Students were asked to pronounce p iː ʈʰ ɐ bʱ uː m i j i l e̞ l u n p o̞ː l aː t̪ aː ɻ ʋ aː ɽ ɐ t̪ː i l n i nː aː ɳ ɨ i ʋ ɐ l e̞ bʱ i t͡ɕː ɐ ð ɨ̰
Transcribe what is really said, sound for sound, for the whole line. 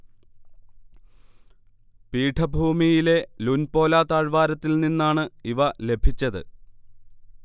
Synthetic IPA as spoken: p iː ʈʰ ɐ bʱ uː m i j i l e̞ l u n p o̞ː l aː t̪ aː ɻ ʋ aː ɾ ɐ t̪ː i l n i nː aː ɳ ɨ i ʋ ɐ l e̞ bʱ i t͡ɕː ɐ ð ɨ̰

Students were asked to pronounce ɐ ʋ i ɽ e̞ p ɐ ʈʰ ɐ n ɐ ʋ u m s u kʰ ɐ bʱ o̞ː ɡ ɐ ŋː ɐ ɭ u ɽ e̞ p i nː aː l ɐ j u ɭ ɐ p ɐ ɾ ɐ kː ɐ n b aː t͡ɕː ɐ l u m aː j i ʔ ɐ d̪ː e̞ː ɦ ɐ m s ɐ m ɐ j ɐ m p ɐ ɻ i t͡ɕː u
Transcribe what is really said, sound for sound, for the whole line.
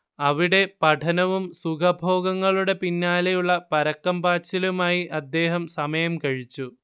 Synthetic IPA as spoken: ɐ ʋ i ɽ e̞ p ɐ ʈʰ ɐ n ɐ ʋ u m s u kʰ ɐ bʱ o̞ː ɡ ɐ ŋː ɐ ɭ u ɽ e̞ p i nː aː l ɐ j u ɭː ɐ p ɐ ɾ ɐ kː ɐ m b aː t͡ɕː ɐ l u m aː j i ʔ ɐ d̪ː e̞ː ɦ ɐ m s ɐ m ɐ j ɐ m k ɐ ɻ i t͡ɕː u

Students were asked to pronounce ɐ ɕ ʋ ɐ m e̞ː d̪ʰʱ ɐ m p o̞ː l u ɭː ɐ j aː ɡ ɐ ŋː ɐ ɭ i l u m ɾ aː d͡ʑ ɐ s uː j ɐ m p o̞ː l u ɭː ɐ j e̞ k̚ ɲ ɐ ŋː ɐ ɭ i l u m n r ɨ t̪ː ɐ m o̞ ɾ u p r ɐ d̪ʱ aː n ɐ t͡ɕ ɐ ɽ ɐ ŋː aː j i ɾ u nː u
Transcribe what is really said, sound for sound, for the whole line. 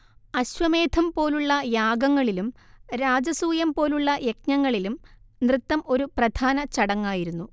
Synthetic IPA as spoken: ɐ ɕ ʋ ɐ m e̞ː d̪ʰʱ ɐ m p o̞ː l u ɭː ɐ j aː ɡ ɐ ŋː ɐ ɭ i l u m ɾ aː d͡ʑ ɐ s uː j ɐ m p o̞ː l u ɭː ɐ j e̞ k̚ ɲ ɐ ŋː ɐ ɭ i l u m n r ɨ t̪ː ɐ m o̞ ɾ u p r ɐ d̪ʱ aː n ɐ t͡ɕ ɐ ɽ ɐ ŋː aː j i ɾ u nː u

